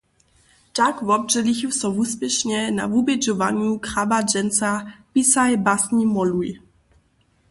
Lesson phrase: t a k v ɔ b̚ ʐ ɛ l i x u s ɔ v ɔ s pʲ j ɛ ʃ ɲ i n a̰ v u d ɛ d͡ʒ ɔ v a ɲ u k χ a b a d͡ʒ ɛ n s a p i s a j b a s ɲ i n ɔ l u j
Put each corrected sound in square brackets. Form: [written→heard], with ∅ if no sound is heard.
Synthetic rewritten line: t a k v ɔ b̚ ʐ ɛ l i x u s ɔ v [ɔ→u] s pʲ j ɛ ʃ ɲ [i→ɛ] n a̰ v u [d→b] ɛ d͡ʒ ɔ v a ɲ u k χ a b a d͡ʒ ɛ n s a p i s a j b a s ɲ i [n→m] ɔ l u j